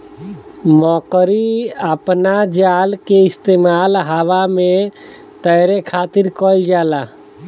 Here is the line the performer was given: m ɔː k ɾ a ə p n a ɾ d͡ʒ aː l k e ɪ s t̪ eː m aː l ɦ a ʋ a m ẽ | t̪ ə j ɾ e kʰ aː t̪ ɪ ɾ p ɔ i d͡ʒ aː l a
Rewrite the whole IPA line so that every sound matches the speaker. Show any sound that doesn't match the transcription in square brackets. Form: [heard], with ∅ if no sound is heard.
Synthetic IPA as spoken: m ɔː k ɾ [i] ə p n a [∅] d͡ʒ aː l k e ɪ s t̪ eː m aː l ɦ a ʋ a m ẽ | t̪ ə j ɾ e kʰ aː t̪ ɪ ɾ [k] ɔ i d͡ʒ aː l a